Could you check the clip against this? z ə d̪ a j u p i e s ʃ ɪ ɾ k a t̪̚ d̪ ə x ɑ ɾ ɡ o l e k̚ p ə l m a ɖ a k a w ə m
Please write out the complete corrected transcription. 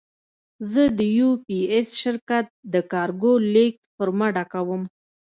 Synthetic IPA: z ə d̪ ə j u p i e s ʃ ɪ ɾ k a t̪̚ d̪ ə k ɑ ɾ ɡ o l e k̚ p ə ɾ m a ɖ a k a w ə m